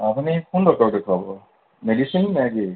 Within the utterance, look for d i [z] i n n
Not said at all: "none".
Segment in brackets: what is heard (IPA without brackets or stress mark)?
s